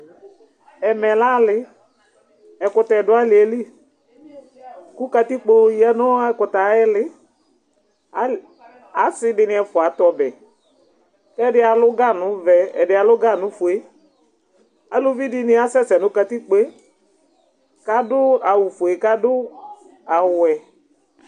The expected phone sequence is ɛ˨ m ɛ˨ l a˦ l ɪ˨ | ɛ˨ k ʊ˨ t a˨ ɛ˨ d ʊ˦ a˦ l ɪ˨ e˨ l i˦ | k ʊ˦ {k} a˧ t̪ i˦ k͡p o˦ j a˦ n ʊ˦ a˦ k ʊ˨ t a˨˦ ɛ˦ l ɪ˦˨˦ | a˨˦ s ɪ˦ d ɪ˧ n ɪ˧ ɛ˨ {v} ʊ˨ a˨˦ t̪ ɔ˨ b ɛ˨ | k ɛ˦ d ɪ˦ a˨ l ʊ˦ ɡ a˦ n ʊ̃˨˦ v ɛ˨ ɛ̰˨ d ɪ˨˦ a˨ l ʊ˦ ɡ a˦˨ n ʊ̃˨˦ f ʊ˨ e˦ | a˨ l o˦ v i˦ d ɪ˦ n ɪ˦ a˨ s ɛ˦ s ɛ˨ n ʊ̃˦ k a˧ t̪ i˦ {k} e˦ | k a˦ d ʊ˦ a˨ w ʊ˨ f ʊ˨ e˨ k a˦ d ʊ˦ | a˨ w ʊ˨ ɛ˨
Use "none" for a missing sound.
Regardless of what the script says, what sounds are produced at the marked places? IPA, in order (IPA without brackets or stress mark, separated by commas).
k, f, k͡p